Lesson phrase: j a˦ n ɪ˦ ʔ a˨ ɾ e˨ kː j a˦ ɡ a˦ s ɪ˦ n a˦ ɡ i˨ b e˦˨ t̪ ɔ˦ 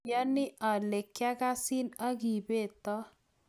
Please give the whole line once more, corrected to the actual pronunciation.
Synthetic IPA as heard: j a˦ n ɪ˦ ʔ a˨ l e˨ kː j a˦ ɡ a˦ s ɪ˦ n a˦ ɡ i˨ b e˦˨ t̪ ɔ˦